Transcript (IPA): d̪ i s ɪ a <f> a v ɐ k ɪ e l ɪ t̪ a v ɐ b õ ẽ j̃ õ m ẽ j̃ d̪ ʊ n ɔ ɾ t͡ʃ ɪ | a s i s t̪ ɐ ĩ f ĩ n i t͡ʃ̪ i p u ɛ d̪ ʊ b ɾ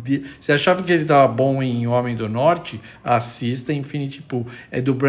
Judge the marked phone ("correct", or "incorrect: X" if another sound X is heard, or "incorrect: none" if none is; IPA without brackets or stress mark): incorrect: ʃ